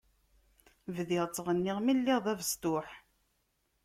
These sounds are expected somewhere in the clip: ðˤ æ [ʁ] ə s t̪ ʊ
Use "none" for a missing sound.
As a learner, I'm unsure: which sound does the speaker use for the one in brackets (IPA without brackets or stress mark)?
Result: v